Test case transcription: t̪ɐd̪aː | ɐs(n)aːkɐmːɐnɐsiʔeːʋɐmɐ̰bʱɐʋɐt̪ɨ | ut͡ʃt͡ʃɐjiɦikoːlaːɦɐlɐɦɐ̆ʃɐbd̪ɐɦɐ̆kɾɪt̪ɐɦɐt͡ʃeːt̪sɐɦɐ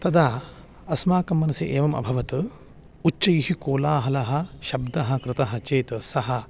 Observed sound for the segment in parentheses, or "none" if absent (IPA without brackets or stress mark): m